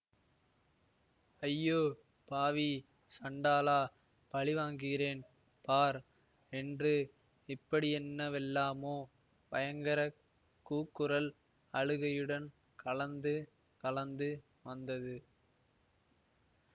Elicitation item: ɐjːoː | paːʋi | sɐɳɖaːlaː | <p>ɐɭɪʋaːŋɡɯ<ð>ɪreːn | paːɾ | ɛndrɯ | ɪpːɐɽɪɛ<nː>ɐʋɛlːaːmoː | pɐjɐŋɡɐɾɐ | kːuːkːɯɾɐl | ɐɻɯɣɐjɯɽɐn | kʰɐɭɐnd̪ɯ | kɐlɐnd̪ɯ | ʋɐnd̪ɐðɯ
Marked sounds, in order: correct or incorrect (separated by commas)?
correct, incorrect, correct